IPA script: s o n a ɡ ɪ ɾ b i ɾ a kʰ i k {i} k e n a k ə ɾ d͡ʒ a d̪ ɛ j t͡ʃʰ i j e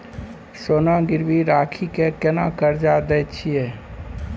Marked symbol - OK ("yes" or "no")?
no